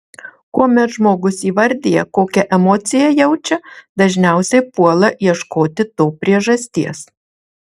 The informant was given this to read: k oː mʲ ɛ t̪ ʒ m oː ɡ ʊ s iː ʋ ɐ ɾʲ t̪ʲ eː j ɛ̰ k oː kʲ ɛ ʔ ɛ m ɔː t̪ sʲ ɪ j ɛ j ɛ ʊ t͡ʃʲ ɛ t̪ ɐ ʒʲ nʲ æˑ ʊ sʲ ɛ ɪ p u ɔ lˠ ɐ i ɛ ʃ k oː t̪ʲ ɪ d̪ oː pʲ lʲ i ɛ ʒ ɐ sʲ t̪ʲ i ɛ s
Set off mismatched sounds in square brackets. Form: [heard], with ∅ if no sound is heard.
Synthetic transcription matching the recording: k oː mʲ ɛ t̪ ʒ m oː ɡ ʊ s iː ʋ ɐ ɾʲ [d̪ʲ] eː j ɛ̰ k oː kʲ ɛ ʔ ɛ m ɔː t̪ sʲ ɪ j ɛ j ɛ ʊ t͡ʃʲ ɛ [d̪] ɐ ʒʲ nʲ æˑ ʊ sʲ ɛ ɪ p u ɔ lˠ ɐ i ɛ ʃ k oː t̪ʲ ɪ [t̪] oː pʲ [ɾʲ] i ɛ ʒ ɐ sʲ t̪ʲ i ɛ s